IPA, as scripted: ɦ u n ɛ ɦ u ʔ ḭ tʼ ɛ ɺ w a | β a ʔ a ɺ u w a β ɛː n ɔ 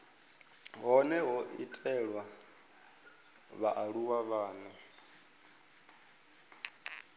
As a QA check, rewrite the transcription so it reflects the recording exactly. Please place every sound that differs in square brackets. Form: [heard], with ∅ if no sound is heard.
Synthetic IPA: ɦ [ɔ] n ɛ ɦ [ɔ] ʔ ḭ tʼ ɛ ɺ w a | β a ʔ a ɺ u w a β [aː] n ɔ